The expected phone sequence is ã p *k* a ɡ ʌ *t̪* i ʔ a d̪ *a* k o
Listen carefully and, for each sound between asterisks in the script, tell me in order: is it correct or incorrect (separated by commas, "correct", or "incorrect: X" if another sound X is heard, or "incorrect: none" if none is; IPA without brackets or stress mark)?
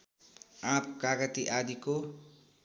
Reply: correct, correct, incorrect: i